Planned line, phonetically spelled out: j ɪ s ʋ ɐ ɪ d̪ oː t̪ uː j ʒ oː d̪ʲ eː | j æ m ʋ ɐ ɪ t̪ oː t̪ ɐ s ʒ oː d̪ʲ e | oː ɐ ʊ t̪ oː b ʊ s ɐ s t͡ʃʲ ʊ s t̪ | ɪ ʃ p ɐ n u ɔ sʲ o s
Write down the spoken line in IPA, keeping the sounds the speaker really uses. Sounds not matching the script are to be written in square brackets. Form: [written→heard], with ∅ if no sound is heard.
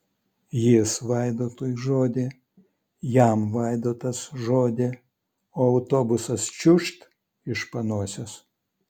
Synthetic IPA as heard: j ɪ s ʋ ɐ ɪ d̪ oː t̪ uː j ʒ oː d̪ʲ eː | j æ m ʋ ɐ ɪ [t̪→d̪] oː t̪ ɐ s ʒ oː d̪ʲ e | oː ɐ ʊ t̪ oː b ʊ s ɐ s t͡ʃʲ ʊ [s→ʃ] t̪ | ɪ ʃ p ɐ n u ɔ sʲ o s